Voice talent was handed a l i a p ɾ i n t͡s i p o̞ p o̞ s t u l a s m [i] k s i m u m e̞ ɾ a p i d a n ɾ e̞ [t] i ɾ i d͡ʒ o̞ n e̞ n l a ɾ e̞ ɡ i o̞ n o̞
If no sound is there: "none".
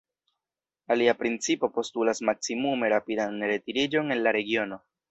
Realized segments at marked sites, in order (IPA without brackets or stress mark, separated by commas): a, t